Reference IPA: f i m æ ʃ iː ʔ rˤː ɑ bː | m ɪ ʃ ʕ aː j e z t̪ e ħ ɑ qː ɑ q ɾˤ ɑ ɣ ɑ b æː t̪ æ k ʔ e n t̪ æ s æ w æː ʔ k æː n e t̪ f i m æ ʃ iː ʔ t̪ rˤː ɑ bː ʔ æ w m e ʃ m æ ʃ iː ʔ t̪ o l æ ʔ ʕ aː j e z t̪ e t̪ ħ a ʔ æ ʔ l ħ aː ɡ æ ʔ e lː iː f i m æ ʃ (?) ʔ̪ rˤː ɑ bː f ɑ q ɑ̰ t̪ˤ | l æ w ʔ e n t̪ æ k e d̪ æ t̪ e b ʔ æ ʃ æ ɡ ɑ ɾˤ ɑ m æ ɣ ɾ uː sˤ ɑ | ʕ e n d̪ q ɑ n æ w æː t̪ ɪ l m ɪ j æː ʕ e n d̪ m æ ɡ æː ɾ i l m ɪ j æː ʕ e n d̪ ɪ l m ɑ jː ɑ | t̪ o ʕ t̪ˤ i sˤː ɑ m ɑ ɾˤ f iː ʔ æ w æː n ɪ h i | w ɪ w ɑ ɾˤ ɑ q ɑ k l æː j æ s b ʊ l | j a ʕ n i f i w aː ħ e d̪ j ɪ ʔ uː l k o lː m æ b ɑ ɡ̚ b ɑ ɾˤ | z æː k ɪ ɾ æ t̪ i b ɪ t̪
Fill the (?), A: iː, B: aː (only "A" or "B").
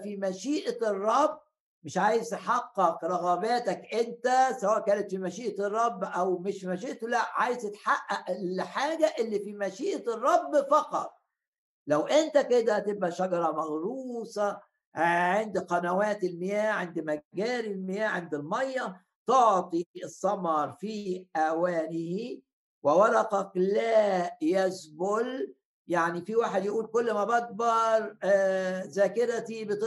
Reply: A